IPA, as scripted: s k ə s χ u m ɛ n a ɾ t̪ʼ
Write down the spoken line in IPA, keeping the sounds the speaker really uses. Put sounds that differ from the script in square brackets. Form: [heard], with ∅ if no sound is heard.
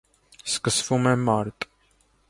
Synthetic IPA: s k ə s [f] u m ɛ [m] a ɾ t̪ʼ

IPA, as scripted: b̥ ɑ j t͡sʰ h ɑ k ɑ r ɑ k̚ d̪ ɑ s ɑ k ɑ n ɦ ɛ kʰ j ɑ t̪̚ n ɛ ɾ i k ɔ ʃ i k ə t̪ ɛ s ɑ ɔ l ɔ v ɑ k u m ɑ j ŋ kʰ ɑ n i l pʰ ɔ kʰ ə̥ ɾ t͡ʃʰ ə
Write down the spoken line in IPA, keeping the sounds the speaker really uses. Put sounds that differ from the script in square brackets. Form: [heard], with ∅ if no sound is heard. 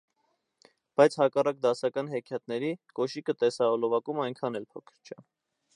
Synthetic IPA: b̥ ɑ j t͡sʰ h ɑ k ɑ r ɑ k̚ d̪ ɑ s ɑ k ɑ n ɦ ɛ kʰ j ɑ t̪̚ n ɛ ɾ i k ɔ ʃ i k ə t̪ ɛ s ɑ ɔ l ɔ v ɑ k u m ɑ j ŋ kʰ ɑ n [ɛ] l pʰ ɔ kʰ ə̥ ɾ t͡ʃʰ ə

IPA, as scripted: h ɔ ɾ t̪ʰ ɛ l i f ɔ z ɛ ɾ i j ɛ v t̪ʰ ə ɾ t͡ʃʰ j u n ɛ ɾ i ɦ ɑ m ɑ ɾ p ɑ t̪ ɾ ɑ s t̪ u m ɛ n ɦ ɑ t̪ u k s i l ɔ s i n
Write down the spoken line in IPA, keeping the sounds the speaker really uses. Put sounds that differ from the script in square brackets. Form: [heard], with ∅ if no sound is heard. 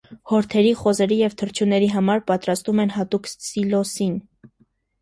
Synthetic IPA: h ɔ ɾ t̪ʰ ɛ [ɾ] i [χ] ɔ z ɛ ɾ i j ɛ v t̪ʰ ə ɾ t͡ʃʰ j u n ɛ ɾ i ɦ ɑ m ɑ ɾ p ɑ t̪ ɾ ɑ s t̪ u m ɛ n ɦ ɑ t̪ u k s i l ɔ s i n

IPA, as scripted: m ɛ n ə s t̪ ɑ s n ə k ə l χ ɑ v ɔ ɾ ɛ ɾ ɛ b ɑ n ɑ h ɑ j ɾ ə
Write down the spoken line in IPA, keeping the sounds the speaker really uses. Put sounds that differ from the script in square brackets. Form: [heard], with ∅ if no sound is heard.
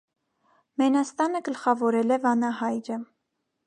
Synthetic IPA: m ɛ n [ɑ] s t̪ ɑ [∅] n ə [ɡ] ə l χ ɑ v ɔ ɾ ɛ [l] ɛ [v] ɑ n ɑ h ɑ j ɾ ə

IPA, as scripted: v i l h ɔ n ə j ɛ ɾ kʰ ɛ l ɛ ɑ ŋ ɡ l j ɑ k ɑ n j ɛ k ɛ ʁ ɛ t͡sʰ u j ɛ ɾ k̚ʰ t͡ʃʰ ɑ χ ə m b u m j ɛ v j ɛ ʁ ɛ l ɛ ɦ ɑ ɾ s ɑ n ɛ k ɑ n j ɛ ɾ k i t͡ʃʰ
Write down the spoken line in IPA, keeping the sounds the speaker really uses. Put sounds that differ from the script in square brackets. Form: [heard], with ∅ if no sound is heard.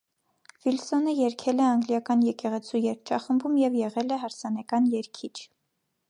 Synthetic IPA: v i l [s] ɔ n ə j ɛ ɾ kʰ ɛ l ɛ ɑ ŋ ɡ l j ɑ k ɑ n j ɛ k ɛ ʁ ɛ t͡sʰ u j ɛ ɾ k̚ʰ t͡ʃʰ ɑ χ ə m b u m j ɛ v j ɛ ʁ ɛ l ɛ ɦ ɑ ɾ s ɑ n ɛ k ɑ n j ɛ ɾ [kʰ] i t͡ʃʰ

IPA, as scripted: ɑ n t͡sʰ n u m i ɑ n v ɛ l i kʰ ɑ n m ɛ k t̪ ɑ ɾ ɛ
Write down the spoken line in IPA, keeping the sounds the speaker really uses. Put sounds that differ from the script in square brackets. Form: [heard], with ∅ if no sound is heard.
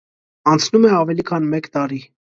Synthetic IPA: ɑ n t͡sʰ n u m [ɛ] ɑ [∅] v ɛ l i kʰ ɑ n m ɛ k t̪ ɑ ɾ [i]

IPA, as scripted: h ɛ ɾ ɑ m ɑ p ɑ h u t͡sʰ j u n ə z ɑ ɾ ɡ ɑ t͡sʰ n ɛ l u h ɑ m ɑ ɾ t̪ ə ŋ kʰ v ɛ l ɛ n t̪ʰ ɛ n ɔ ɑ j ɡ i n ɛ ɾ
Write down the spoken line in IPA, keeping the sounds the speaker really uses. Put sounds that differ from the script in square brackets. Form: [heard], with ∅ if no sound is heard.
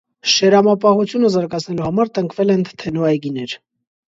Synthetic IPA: [ʃ] ɛ ɾ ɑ m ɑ p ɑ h u t͡sʰ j u n ə z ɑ ɾ ɡ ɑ t͡sʰ n ɛ l u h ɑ m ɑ ɾ t̪ ə ŋ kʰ v ɛ l ɛ n t̪ʰ ɛ n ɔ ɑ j ɡ i n ɛ ɾ

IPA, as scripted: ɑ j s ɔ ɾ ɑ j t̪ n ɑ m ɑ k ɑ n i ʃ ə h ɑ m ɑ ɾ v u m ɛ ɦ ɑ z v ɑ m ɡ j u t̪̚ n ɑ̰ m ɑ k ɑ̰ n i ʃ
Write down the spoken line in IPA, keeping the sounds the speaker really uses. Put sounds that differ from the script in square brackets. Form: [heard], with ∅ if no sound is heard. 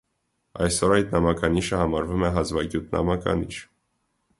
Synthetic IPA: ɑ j s ɔ ɾ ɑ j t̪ n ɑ m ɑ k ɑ n i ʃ ə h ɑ m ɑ ɾ v u m ɛ ɦ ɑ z v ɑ [∅] ɡ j u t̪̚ n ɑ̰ m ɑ k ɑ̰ n i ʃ

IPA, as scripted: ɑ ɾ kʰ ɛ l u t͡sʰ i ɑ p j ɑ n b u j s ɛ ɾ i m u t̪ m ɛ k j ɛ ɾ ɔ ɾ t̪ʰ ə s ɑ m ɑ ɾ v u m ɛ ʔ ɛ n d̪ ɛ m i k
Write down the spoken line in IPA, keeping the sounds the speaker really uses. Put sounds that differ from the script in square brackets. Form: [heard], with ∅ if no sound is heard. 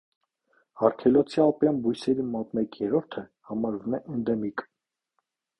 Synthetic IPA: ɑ ɾ kʰ ɛ l [ɔ] t͡sʰ i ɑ p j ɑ n b u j s ɛ ɾ i m [ɔ] t̪ m ɛ k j ɛ ɾ ɔ ɾ t̪ʰ ə [h] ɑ m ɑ ɾ v u m ɛ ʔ ɛ n d̪ ɛ m i k

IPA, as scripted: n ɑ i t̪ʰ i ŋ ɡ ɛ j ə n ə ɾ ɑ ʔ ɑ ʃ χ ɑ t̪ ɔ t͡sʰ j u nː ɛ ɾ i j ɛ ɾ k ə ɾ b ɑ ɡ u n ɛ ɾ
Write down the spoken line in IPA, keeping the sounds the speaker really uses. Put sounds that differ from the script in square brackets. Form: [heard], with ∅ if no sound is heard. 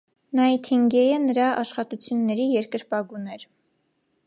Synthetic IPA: n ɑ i t̪ʰ i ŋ ɡ ɛ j ə n ə ɾ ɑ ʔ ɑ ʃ χ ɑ t̪ [u] t͡sʰ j u nː ɛ ɾ i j ɛ ɾ k ə ɾ [p] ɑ ɡ u n ɛ ɾ

